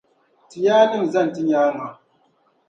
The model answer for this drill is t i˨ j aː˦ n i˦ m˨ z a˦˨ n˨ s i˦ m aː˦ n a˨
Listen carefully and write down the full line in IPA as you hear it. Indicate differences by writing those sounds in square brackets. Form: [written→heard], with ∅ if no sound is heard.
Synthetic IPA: t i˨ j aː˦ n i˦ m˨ z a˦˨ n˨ [s→t] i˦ [m→ɲ] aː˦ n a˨

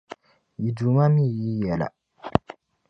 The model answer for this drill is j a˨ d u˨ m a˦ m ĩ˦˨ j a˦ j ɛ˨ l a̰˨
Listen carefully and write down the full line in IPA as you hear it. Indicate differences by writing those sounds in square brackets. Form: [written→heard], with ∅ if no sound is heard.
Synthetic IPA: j [a˨→i˨] d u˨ m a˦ m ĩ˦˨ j [a˦→i˦] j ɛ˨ l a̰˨

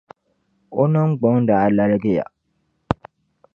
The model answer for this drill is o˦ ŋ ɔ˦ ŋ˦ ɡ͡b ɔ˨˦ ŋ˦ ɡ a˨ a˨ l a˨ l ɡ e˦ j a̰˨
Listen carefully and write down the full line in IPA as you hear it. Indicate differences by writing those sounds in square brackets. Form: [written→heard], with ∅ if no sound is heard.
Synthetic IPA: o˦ [ŋ→n] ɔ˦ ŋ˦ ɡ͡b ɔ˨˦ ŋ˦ [ɡ→d] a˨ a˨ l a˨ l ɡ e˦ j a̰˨

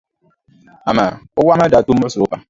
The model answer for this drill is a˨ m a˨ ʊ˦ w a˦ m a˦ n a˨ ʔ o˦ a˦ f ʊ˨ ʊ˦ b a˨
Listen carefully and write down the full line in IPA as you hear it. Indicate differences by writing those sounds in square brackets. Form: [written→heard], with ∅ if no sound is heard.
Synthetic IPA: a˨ m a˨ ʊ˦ w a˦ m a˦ [n→d] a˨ [ʔ→t] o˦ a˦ [f→s] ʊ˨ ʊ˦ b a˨

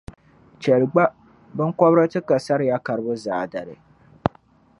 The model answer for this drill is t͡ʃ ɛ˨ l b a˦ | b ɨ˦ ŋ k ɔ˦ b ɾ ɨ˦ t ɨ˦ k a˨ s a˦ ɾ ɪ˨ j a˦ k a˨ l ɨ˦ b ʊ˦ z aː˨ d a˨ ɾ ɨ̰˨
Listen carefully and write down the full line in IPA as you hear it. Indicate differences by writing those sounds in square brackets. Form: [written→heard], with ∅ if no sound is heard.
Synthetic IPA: t͡ʃ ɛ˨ l [b→ɡ͡b] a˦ | b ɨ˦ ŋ k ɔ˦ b ɾ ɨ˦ t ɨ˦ k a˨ s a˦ ɾ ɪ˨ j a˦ k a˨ [l→ɾ] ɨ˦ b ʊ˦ z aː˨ d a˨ ɾ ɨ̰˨

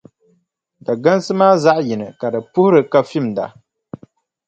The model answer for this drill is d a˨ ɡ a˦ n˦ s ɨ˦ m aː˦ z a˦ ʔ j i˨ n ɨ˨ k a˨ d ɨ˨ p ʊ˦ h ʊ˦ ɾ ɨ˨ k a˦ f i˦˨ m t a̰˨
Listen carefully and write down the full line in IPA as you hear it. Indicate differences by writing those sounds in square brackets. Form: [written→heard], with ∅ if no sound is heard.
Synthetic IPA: d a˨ ɡ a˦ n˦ s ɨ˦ m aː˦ z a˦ ʔ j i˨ n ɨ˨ k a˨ d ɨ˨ p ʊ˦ h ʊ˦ ɾ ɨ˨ k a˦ f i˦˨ m [t→d] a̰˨

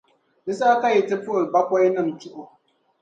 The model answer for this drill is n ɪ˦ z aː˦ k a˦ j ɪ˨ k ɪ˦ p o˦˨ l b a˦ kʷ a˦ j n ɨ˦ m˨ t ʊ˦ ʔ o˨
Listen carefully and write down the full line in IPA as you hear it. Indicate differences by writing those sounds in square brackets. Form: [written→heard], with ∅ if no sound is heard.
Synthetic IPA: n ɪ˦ [z→s] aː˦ k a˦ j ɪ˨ [k→t] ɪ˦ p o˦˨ l b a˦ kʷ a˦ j n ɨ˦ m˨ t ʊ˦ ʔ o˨

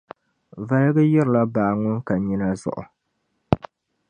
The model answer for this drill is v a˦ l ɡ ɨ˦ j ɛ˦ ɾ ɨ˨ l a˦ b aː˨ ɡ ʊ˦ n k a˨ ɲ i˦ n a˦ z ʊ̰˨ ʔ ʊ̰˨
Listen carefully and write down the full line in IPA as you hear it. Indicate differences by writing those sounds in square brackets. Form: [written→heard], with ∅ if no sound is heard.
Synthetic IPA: v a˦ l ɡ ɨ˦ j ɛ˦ ɾ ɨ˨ l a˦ b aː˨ [ɡ→ŋ] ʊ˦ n k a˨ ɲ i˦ n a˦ z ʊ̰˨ ʔ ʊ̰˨

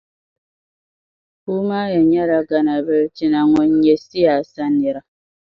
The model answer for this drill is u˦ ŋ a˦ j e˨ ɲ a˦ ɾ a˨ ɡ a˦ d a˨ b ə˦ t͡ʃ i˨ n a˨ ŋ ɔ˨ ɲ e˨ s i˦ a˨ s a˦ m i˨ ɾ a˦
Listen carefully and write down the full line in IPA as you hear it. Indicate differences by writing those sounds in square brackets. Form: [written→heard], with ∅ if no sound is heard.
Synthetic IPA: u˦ [ŋ→m] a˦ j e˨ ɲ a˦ ɾ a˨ ɡ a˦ [d→n] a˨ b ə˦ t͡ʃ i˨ n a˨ ŋ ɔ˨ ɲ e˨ s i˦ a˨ s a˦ [m→n] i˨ ɾ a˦

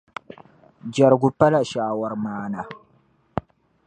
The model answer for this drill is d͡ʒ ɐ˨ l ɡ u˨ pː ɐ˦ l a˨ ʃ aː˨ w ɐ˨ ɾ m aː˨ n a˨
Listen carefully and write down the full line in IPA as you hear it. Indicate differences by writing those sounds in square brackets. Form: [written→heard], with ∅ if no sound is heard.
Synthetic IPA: d͡ʒ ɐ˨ [l→ɾ] ɡ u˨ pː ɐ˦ l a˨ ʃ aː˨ w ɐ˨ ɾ m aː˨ n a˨

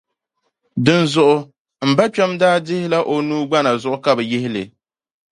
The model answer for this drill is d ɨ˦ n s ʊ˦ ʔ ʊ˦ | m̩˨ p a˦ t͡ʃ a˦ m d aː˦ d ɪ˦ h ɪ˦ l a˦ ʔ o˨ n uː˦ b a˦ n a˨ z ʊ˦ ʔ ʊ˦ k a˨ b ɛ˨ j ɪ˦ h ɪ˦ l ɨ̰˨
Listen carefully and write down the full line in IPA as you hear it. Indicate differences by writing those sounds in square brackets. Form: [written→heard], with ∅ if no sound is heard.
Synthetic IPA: d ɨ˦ n [s→z] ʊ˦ ʔ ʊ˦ | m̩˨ [p→b] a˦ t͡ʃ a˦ m d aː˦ d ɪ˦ h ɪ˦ l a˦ ʔ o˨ n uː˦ [b→ɡ͡b] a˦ n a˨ z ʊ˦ ʔ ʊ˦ k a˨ b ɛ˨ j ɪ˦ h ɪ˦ l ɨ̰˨

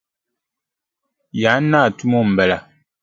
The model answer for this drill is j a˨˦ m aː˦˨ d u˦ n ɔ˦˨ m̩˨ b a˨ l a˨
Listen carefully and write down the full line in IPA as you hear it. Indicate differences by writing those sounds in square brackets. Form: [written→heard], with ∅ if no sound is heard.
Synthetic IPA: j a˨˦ [m→n] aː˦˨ [d→t] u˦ [n→m] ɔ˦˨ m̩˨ b [a˨→ɛ˨] l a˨

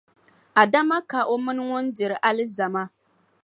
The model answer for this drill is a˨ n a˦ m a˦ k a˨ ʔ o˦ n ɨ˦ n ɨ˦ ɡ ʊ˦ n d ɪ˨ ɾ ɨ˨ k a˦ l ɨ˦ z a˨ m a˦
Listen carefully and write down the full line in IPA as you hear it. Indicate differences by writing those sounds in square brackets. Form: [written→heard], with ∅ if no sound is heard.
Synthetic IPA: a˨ [n→d] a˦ m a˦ k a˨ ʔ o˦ [n→m] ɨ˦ n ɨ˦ [ɡ→ŋ] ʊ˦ n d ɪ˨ ɾ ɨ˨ [k→ʔ] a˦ l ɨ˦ z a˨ m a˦

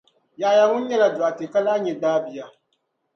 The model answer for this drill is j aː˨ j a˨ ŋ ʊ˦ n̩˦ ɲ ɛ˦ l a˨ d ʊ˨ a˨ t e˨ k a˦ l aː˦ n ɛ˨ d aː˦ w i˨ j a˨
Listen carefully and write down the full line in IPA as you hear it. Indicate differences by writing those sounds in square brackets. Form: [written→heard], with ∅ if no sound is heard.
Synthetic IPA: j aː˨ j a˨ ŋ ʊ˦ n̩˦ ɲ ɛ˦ l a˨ d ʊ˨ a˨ t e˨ k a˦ l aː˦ [n→ɲ] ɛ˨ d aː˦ [w→b] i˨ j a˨

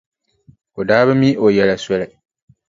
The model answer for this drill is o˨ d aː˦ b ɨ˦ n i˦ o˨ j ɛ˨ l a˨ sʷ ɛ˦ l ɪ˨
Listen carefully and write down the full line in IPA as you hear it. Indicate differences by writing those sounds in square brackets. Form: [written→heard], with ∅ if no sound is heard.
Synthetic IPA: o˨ d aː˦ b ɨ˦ [n→m] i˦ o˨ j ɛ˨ l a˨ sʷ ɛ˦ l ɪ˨

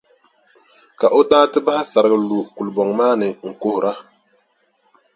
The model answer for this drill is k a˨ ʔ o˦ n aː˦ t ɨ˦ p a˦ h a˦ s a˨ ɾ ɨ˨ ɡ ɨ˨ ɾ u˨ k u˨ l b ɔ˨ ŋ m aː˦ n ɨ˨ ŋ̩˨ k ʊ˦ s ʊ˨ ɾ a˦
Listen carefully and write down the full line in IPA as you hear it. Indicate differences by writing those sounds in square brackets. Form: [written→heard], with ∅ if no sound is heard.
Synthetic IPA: k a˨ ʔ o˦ [n→d] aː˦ t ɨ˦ [p→b] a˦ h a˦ s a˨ ɾ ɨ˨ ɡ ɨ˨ [ɾ→l] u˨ k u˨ l b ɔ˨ ŋ m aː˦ n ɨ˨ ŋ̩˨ k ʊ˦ [s→h] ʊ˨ ɾ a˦

